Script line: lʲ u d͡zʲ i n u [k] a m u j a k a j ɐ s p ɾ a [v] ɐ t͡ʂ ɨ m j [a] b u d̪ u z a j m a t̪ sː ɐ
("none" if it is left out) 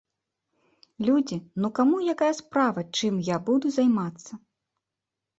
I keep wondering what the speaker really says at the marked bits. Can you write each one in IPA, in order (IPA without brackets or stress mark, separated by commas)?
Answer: k, v, a